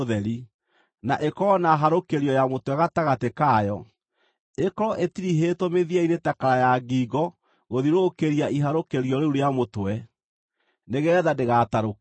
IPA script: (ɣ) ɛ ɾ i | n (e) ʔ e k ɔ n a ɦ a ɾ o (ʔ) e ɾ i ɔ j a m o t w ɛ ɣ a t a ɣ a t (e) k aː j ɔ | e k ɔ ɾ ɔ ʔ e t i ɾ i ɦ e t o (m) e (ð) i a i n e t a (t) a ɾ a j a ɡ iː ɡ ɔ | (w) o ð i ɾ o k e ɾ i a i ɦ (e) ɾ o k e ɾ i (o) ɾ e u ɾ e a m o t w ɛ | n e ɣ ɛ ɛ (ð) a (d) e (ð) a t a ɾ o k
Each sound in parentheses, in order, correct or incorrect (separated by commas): incorrect, incorrect, incorrect, correct, correct, correct, incorrect, incorrect, incorrect, incorrect, correct, correct, incorrect